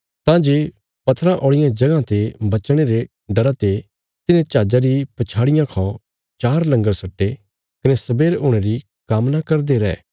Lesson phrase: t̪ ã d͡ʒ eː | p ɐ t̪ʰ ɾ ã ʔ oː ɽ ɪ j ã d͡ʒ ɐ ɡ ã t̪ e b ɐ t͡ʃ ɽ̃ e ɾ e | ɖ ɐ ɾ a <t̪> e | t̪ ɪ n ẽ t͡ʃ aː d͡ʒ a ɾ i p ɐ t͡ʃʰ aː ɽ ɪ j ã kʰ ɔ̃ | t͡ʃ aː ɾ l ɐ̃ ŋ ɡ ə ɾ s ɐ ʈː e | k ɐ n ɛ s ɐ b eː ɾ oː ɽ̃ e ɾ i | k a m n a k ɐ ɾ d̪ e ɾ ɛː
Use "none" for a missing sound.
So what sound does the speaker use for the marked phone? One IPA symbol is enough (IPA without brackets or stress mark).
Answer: t̪